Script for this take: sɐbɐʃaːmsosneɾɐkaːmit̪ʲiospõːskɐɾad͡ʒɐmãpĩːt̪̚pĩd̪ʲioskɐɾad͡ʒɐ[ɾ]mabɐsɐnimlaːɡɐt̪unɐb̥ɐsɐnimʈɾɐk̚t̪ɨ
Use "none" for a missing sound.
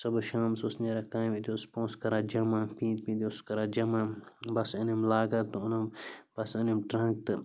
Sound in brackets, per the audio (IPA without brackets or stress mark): none